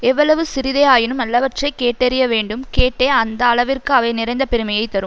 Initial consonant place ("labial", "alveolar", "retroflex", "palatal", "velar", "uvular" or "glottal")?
labial